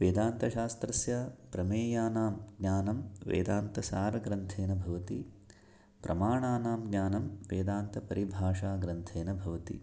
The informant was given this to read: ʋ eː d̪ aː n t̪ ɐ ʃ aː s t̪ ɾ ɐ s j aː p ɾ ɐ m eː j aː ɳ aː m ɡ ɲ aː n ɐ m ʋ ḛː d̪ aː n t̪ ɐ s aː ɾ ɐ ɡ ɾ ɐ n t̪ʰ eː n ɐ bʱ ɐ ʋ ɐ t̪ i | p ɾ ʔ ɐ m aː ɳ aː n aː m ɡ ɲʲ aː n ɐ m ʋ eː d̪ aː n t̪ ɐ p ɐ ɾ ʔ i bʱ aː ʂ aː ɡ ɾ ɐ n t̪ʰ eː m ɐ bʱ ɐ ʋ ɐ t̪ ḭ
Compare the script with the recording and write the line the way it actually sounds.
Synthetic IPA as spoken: ʋ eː d̪ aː n t̪ ɐ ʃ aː s t̪ ɾ ɐ s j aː p ɾ ɐ m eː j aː n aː m ɡ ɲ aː n ɐ m ʋ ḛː d̪ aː n t̪ ɐ s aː ɾ ɐ ɡ ɾ ɐ n t̪ʰ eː n ɐ bʱ ɐ ʋ ɐ t̪ i | p ɾ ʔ ɐ m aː ɳ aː n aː m ɡ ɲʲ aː n ɐ m ʋ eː d̪ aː n t̪ ɐ p ɐ ɾ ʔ i bʱ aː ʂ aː ɡ ɾ ɐ n t̪ʰ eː n ɐ bʱ ɐ ʋ ɐ t̪ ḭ